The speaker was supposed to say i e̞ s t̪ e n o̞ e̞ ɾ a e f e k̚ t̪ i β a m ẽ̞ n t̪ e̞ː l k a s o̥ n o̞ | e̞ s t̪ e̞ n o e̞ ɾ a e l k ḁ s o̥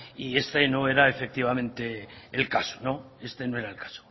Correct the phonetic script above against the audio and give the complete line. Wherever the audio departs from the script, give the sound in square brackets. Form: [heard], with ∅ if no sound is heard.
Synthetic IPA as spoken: i e̞ s t̪ e n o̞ e̞ ɾ a e f e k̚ t̪ i β a m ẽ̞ n t̪ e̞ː l k a s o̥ n o̞ | e̞ s t̪ e̞ n o e̞ ɾ a e l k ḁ s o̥